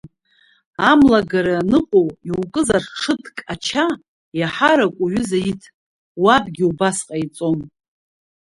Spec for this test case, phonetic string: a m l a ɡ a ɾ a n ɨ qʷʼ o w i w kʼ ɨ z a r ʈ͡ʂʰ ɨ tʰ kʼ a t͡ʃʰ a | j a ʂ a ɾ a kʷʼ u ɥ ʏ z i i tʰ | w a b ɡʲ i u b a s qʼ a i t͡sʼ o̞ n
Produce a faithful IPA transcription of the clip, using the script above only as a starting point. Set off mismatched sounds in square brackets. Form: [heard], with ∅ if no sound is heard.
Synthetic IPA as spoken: a m l a ɡ a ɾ a n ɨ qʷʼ o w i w kʼ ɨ z a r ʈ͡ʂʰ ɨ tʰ kʼ a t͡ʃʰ a | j a [ħ] a ɾ a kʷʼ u ɥ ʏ z [a] i tʰ | w a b ɡʲ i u b a s qʼ a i t͡sʼ o̞ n